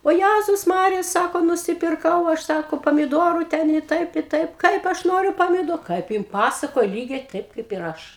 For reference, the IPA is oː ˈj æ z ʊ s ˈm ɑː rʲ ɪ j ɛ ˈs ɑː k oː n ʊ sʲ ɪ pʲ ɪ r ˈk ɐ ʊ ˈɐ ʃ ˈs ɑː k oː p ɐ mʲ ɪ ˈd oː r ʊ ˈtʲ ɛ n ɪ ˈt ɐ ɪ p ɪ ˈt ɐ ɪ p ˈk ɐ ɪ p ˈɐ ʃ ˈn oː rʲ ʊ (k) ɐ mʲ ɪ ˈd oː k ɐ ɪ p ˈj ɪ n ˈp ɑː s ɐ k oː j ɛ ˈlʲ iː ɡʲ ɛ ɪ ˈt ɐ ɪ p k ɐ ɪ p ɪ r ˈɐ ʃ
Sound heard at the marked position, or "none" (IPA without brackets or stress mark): p